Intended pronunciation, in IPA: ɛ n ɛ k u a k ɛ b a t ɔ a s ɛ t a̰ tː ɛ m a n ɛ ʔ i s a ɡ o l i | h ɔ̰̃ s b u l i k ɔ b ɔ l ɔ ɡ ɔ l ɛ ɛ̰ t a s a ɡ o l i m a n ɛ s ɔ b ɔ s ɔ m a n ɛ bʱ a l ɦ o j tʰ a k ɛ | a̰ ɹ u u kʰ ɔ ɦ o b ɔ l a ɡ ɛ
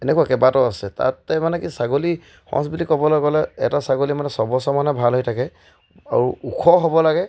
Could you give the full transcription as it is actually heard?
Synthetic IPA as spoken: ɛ n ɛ k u a k ɛ b a t ɔ a s ɛ t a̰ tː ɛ m a n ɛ k i s a ɡ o l i | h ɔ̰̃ s b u l i k ɔ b ɔ l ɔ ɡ ɔ l ɛ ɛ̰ t a s a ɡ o l i m a n ɛ s ɔ b ɔ s ɔ m a n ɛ bʱ a l ɦ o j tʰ a k ɛ | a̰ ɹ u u kʰ ɔ ɦ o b ɔ l a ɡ ɛ